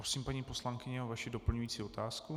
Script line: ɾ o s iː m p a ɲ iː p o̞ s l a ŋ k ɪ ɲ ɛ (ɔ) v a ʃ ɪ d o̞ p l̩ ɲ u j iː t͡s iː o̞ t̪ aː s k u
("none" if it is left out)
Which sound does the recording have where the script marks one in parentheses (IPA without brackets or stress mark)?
o